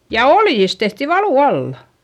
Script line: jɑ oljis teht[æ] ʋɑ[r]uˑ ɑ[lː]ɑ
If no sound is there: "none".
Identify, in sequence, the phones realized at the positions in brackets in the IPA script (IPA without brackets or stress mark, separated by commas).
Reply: i, l, lː